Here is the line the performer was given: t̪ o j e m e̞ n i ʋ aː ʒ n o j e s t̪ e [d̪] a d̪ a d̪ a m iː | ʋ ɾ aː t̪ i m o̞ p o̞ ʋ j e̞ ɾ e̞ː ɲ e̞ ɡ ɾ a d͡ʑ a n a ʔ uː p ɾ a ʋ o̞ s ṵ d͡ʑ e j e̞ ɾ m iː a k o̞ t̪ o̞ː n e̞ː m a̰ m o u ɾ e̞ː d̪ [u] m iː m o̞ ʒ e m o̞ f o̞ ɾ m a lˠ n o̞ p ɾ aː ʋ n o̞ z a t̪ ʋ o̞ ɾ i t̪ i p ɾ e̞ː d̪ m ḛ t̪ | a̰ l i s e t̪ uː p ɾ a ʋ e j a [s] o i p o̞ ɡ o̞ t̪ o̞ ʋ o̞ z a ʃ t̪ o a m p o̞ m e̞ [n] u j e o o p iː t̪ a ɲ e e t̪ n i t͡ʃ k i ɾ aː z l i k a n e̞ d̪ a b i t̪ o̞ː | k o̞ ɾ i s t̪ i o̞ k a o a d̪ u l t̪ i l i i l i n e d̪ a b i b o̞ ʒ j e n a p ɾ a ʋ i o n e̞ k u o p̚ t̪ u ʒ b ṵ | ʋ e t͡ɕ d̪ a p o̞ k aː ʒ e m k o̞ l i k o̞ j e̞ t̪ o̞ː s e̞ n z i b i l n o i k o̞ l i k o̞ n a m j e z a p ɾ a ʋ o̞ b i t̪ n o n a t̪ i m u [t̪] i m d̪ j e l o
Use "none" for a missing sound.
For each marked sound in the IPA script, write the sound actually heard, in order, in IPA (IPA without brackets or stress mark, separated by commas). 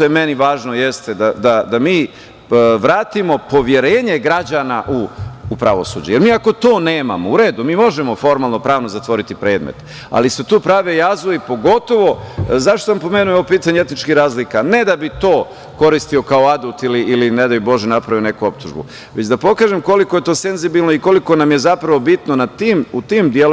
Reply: d̪, u, z, n, t̪